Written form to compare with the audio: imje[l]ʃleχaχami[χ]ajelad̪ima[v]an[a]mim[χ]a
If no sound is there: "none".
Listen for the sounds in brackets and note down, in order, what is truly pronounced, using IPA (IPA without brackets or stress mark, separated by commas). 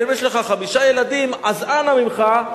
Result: none, ʃ, z, a, χ